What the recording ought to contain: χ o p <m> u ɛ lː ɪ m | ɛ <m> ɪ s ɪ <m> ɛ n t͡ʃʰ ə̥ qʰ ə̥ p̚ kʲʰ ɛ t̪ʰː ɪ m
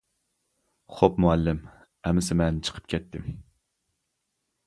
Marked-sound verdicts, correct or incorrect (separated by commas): correct, correct, correct